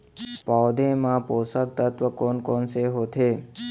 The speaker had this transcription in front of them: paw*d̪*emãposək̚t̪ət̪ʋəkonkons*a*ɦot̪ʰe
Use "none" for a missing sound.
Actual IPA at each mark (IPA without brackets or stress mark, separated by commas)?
d̪, e